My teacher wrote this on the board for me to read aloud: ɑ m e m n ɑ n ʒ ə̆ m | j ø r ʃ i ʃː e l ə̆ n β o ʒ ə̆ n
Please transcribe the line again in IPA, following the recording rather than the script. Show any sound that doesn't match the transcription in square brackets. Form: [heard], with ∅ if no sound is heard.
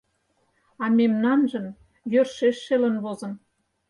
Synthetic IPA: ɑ m e m n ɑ n ʒ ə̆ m | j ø r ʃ [e] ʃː e l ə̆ n β o [z] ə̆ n